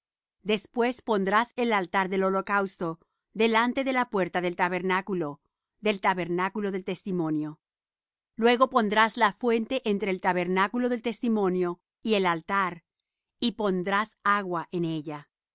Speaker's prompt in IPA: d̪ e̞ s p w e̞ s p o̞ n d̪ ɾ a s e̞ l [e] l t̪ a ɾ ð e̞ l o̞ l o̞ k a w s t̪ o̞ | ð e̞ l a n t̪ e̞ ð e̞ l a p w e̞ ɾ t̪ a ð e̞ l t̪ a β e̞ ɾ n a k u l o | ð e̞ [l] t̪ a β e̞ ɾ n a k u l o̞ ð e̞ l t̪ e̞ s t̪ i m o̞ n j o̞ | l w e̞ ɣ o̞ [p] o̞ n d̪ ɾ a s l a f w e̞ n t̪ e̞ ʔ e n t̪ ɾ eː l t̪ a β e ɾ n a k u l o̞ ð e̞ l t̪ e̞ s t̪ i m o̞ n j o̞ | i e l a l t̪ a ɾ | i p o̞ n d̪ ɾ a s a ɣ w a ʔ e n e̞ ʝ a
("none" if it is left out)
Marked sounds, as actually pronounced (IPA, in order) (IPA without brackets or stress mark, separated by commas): a, l, p